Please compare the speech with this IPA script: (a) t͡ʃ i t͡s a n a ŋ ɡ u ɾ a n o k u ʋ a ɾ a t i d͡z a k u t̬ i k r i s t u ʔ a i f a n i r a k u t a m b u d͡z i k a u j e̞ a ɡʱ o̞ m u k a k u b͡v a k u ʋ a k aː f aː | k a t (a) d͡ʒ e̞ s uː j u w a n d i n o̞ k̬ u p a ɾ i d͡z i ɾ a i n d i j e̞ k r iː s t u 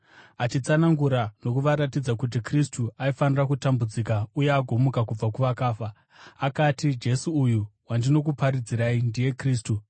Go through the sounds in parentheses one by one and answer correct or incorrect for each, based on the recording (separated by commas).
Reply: correct, incorrect